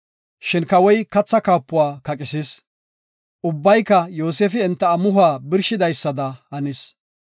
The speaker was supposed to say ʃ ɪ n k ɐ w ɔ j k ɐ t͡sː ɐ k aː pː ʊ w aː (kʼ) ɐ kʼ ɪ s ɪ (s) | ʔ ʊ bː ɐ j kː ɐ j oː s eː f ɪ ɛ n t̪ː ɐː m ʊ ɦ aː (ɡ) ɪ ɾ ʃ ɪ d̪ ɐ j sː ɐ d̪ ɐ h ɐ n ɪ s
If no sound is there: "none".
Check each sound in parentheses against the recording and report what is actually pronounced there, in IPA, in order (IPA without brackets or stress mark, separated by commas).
k, s, b